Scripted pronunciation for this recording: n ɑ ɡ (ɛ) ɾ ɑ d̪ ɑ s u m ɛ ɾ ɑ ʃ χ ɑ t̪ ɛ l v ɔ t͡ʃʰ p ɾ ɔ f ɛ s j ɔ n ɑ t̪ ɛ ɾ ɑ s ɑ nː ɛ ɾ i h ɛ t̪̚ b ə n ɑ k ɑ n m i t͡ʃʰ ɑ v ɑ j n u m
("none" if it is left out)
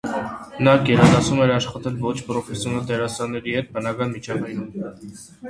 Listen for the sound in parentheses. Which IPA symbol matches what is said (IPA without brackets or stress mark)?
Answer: ɛ